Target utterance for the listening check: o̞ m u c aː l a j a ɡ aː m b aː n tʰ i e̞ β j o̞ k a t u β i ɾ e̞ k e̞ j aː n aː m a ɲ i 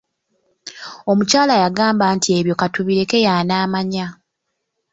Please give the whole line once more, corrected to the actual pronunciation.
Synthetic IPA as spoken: o̞ m u c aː l a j a ɡ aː m b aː n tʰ i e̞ β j o̞ k a t u β i ɾ e̞ k e̞ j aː n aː m a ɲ a